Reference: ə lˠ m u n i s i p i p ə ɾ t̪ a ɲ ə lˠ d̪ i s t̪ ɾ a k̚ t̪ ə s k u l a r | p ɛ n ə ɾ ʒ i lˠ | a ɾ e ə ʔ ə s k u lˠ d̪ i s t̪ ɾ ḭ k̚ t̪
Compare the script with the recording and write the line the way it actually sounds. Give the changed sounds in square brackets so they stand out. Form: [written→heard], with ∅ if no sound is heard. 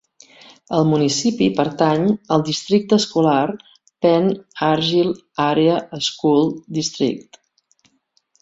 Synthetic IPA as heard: ə lˠ m u n i s i p i p ə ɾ t̪ a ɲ ə lˠ d̪ i s t̪ ɾ [a→i] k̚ t̪ ə s k u l a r | p ɛ n [ə→a] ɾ ʒ i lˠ | a ɾ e ə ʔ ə s k u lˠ d̪ i s t̪ ɾ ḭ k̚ t̪